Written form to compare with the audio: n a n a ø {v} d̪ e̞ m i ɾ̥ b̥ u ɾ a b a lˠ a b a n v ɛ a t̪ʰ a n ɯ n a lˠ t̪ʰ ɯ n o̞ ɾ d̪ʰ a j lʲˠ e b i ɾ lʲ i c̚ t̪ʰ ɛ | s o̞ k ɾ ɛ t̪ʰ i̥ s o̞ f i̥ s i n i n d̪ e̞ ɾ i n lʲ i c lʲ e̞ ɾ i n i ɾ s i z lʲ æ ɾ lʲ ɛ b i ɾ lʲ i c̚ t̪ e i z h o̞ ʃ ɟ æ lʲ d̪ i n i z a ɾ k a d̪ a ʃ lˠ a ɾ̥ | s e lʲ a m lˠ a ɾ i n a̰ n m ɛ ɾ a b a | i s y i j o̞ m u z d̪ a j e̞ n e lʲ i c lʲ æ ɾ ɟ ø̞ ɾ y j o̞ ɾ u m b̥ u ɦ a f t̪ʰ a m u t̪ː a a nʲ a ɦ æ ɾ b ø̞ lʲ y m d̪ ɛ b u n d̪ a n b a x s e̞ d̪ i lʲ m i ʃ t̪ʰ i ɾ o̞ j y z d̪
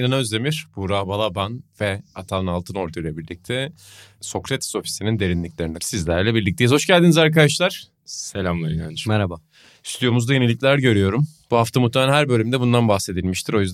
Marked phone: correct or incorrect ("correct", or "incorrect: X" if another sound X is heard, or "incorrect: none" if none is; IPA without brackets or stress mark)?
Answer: incorrect: z